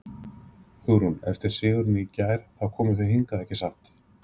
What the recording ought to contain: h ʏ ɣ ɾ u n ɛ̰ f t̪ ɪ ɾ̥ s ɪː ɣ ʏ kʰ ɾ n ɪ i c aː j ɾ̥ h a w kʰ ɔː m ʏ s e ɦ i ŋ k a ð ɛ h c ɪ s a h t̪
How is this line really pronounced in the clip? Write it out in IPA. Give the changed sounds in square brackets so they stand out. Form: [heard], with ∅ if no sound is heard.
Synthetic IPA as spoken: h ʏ ɣ ɾ u n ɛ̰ f t̪ ɪ ɾ̥ s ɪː ɣ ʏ [∅] ɾ n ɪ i c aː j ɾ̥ [θ] a w kʰ ɔː m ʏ [θ] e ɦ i ŋ k a ð ɛ h c ɪ s a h t̪